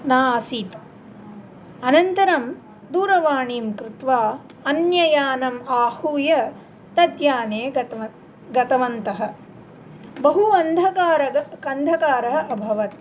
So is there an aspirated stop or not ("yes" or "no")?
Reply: no